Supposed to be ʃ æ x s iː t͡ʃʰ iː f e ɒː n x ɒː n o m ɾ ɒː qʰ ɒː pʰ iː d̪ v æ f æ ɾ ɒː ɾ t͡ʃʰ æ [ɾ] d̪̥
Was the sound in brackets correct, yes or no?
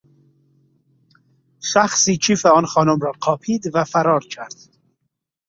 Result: yes